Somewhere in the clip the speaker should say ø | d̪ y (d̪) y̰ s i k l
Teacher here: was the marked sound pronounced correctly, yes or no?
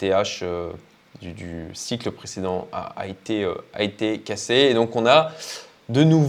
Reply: yes